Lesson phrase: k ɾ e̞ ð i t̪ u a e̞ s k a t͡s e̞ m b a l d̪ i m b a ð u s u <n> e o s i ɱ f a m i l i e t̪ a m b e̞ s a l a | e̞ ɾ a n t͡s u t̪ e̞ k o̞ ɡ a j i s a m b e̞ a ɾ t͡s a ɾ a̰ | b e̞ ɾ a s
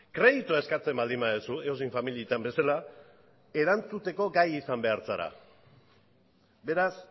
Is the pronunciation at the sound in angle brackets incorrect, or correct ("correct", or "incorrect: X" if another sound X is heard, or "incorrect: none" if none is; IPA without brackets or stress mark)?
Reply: incorrect: none